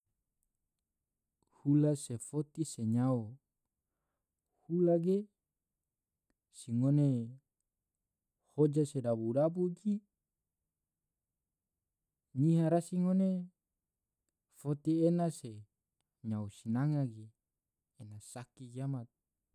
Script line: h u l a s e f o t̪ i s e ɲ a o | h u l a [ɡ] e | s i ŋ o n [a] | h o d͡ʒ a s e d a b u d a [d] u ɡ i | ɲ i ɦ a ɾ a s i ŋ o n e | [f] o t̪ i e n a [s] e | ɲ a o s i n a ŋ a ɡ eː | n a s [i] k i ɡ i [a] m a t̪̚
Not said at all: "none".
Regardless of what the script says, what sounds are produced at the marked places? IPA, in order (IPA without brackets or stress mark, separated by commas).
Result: ɡ, e, b, f, s, a, a